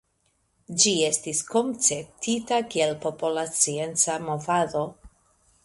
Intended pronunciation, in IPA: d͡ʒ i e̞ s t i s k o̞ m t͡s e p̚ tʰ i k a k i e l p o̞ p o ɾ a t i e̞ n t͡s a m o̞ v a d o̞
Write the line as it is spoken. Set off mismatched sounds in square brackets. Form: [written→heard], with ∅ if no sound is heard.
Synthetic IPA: d͡ʒ i e̞ s t i s k o̞ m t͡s e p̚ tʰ i [k→t] a k i e l p o̞ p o [ɾ→l] a [t→t͡s] i e̞ n t͡s a m o̞ v a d o̞

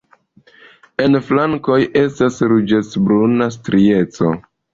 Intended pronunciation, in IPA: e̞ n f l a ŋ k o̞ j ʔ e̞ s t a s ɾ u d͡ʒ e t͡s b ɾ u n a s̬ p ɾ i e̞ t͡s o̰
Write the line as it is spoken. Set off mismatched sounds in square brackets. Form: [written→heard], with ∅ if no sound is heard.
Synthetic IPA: e̞ n f l a ŋ k o̞ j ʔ e̞ s t a s ɾ u d͡ʒ e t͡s b ɾ u n a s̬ [p→t] ɾ i e̞ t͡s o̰

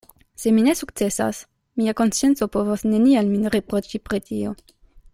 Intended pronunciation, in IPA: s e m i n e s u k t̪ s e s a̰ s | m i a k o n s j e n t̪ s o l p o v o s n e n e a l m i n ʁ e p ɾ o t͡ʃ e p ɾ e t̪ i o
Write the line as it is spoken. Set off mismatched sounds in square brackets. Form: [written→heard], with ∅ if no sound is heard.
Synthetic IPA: s e m i n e s u k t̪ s e s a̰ s | m i a k o n s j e n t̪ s o [l→∅] p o v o s n e n [e→i] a l m i n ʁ e p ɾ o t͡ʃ [e→i] p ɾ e t̪ i o

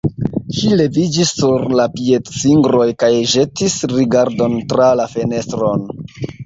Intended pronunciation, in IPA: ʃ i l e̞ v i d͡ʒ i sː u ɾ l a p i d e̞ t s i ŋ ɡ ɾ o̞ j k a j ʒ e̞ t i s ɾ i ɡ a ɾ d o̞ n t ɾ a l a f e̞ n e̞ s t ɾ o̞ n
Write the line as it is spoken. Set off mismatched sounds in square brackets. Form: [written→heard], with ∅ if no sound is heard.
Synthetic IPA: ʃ i l e̞ v i d͡ʒ i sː u ɾ l a p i [d→∅] e̞ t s i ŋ ɡ ɾ o̞ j k a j ʒ e̞ t i s ɾ i ɡ a ɾ d o̞ n t ɾ a l a f e̞ n e̞ s t ɾ o̞ n

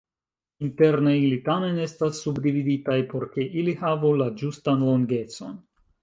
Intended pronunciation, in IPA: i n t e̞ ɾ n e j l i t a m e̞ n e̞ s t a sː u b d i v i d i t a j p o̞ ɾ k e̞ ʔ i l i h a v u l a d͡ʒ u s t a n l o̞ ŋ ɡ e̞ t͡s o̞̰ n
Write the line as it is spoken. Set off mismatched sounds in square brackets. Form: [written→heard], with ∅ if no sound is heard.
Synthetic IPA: i n t e̞ ɾ n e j l i t a m e̞ n e̞ s t a sː u b d i v i d i t a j p o̞ ɾ k e̞ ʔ i l i h a v u l a d͡ʒ u s t a n l o̞ ŋ ɡ e̞ t͡s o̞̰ n

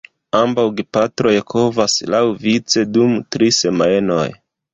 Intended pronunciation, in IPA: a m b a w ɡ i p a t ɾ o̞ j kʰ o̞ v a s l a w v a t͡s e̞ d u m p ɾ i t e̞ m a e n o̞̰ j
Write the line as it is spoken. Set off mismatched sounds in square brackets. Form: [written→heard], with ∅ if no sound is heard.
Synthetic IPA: a m b a w ɡ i p a t ɾ o̞ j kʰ o̞ v a s l a w v [a→i] t͡s e̞ d u m [p→t] ɾ i [t→s] e̞ m a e n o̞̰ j

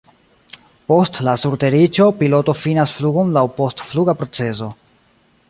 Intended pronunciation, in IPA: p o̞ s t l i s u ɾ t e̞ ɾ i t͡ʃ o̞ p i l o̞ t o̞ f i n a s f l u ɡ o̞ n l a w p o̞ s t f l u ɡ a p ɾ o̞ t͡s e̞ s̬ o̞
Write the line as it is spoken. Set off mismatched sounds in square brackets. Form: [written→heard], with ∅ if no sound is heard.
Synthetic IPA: p o̞ s t l [i→a] s u ɾ t e̞ ɾ i t͡ʃ o̞ p i l o̞ t o̞ f i n a s f l u ɡ o̞ n l a w p o̞ s t f l u ɡ a p ɾ o̞ t͡s e̞ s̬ o̞

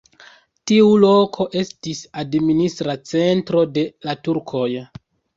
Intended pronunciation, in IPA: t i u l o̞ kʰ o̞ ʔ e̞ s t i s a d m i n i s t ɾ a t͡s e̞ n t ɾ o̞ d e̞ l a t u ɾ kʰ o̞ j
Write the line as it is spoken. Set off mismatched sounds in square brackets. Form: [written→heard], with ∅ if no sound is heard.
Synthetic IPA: t i u l o̞ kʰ o̞ ʔ e̞ s t i s a d m i n i s t ɾ a t͡s e̞ n t ɾ o̞ d e̞ l a t u ɾ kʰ o̞ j

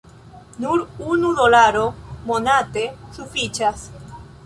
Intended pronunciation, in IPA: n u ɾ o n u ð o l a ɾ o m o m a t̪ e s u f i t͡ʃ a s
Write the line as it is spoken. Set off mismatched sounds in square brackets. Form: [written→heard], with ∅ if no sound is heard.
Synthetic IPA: n u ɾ [o→u] n u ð o l a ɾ o m o [m→n] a t̪ e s u f i t͡ʃ a s

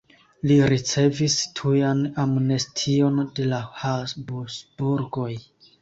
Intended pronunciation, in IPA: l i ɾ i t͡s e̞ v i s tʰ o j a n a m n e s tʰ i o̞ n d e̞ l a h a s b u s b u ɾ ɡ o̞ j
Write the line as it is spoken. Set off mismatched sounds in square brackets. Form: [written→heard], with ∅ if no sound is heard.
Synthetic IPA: l i ɾ i t͡s e̞ v i s tʰ [o→u] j a n a m n e s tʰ i o̞ n d e̞ l a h a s b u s b u ɾ ɡ o̞ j

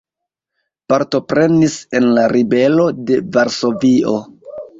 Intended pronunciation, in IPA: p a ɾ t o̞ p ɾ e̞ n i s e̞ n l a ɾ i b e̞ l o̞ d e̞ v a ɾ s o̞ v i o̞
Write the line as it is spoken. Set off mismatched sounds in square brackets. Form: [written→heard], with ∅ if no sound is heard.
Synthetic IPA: p a ɾ t o̞ p ɾ e̞ n i s e̞ n l a ɾ i b e̞ l o̞ d e̞ v a ɾ s o̞ v i o̞

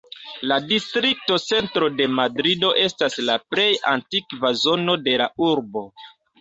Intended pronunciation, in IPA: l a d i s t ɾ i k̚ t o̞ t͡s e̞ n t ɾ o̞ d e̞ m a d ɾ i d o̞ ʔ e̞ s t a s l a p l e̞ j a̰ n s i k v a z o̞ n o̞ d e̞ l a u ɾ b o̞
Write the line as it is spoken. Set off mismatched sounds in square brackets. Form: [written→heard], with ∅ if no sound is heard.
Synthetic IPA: l a d i s t ɾ i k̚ t o̞ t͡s e̞ n t ɾ o̞ d e̞ m a d ɾ i d o̞ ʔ e̞ s t a s l a p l e̞ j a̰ n [s→t] i k v a z o̞ n o̞ d e̞ l a u ɾ b o̞

